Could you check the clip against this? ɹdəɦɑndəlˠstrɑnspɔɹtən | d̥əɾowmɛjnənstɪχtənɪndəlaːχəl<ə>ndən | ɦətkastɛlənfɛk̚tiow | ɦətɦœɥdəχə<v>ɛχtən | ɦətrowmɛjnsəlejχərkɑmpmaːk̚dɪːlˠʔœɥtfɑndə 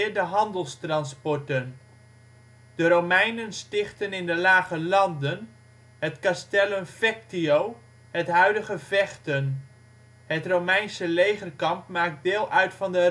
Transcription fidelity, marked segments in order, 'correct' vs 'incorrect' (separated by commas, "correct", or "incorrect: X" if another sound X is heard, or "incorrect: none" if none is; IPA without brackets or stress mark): incorrect: ɑ, correct